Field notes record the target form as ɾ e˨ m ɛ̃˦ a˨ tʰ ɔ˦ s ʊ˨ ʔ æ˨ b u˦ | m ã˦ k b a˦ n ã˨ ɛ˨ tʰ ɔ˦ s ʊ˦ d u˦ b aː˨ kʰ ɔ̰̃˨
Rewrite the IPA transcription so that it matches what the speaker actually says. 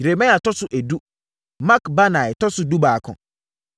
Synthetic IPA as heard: ɾ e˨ m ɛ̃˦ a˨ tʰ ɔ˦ s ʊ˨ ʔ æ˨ d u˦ | m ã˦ k b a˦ n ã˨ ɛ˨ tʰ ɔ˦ s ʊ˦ d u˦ b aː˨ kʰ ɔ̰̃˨